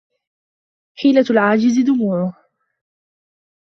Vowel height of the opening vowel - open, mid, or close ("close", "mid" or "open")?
close